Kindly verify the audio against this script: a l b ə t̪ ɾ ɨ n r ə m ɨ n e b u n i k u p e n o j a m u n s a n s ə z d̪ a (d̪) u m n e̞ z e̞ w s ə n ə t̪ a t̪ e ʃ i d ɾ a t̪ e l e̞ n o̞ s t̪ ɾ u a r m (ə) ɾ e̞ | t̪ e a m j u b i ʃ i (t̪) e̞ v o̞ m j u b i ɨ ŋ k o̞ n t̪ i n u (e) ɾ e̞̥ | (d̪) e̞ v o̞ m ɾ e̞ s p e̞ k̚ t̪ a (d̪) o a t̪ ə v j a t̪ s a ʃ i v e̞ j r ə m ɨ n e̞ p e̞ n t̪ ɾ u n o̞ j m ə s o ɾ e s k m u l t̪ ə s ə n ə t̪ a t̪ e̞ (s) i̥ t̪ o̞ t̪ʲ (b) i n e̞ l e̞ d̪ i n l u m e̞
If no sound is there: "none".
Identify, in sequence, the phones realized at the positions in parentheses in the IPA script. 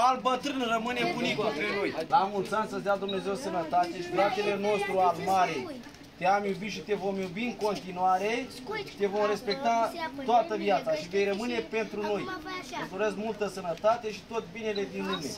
d̪, a, t̪, a, t̪, t̪, ʃ, b

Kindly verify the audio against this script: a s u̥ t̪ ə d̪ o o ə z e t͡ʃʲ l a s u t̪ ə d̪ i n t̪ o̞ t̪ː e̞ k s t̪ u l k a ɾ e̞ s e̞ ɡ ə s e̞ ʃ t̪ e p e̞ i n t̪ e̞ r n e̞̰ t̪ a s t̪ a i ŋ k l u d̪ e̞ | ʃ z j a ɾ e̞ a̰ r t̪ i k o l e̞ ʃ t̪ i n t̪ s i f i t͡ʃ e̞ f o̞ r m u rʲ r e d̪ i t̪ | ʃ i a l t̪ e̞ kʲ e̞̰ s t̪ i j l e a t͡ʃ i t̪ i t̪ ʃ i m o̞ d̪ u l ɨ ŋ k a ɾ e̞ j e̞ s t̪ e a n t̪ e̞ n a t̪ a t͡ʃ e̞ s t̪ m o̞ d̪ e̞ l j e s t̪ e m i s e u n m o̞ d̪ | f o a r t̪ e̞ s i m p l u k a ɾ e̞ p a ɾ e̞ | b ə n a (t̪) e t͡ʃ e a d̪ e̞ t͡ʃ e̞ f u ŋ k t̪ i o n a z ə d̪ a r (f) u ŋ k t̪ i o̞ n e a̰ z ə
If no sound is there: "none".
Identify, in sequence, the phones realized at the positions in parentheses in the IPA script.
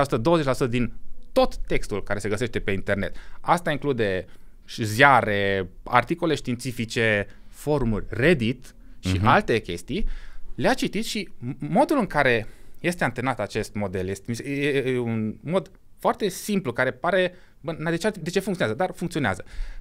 d̪, f

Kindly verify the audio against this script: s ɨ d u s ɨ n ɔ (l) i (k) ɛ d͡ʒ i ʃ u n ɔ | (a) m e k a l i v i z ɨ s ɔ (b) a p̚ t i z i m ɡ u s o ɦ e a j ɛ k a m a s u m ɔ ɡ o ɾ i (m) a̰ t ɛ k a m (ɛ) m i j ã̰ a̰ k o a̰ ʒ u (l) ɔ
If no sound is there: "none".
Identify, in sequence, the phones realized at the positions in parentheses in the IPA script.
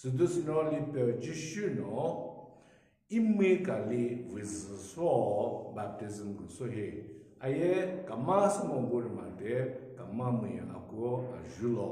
l, p, i, b, m, a, l

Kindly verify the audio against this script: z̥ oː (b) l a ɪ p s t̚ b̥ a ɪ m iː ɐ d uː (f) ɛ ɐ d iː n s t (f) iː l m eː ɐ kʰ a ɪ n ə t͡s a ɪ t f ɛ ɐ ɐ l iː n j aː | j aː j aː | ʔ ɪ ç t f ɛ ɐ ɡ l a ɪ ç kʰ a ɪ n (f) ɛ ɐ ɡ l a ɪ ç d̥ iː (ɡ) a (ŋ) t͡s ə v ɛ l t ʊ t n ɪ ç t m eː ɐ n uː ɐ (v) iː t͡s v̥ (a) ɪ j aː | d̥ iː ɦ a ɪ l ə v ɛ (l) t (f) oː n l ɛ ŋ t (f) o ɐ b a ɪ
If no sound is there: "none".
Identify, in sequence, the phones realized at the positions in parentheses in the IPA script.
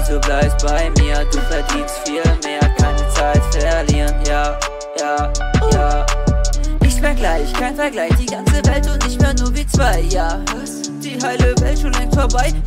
b, f, f, f, ɡ, n, v, a, l, ʃ, f

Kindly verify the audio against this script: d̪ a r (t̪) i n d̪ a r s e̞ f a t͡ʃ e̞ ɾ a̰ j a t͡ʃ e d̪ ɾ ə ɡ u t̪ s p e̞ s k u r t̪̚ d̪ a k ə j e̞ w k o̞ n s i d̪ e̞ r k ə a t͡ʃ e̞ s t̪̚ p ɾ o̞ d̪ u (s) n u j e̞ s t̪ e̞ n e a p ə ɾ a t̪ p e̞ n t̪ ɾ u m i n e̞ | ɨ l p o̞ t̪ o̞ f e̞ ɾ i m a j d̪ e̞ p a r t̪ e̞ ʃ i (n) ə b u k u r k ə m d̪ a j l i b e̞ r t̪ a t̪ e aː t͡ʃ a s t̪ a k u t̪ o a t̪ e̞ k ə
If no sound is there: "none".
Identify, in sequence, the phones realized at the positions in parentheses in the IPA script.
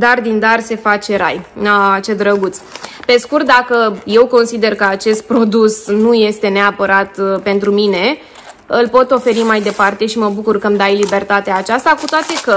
d̪, s, m

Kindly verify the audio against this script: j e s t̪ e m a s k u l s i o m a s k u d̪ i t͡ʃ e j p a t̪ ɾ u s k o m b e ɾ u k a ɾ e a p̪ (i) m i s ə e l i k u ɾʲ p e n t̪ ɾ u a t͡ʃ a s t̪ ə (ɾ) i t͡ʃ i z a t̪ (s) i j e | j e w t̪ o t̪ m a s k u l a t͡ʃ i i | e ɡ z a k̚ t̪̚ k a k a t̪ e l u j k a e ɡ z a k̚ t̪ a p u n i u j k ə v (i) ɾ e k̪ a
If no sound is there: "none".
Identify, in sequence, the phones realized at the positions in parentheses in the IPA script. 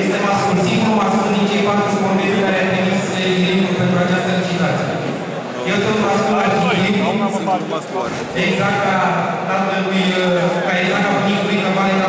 e, l, s, a

